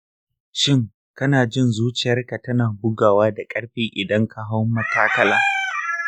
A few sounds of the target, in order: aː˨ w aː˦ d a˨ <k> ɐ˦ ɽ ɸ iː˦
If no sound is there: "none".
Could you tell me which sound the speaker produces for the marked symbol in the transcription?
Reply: kʼ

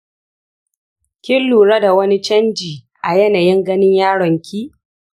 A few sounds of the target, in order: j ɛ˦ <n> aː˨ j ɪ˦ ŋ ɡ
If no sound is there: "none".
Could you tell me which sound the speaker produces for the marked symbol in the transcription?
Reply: n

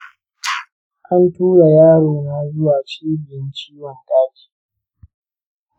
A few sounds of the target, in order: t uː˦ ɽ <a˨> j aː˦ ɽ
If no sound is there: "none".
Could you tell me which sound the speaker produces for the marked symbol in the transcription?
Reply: a˨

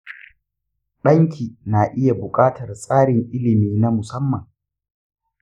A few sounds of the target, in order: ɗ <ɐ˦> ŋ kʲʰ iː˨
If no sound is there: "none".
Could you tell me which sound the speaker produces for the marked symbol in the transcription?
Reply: ɐ˦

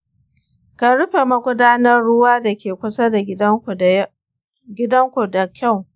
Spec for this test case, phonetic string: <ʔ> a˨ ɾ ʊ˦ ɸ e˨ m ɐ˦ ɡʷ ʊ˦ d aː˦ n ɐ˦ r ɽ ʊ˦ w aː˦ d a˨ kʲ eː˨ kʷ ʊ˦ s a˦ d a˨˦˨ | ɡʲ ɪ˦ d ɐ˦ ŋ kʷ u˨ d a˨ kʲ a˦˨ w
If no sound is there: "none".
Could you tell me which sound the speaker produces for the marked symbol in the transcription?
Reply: k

